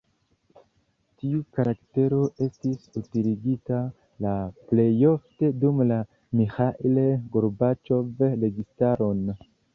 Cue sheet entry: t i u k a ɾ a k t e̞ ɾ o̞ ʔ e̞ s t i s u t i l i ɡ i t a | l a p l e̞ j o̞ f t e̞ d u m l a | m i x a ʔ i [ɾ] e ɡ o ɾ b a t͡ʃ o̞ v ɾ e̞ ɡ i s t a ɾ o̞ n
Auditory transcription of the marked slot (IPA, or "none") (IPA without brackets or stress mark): l